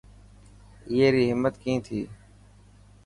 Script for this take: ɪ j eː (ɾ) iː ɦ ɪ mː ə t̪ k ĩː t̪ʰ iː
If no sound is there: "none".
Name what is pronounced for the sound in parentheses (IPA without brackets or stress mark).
ɾ